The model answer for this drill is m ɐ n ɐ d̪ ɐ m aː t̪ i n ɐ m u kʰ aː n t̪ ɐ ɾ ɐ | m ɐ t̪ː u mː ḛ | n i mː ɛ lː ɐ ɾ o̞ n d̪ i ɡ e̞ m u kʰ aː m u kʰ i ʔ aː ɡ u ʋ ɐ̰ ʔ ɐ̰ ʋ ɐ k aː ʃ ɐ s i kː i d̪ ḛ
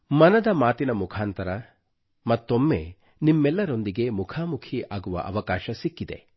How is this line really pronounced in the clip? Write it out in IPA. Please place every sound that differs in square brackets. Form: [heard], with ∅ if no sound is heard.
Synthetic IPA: m ɐ n ɐ d̪ ɐ m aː t̪ i n ɐ m u kʰ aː n t̪ ɐ ɾ ɐ | m ɐ t̪ː [o] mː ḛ | n i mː ɛ lː ɐ ɾ o̞ n d̪ i ɡ e̞ m u kʰ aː m u kʰ i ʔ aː ɡ u ʋ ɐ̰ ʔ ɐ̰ ʋ ɐ k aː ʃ ɐ s i kː i d̪ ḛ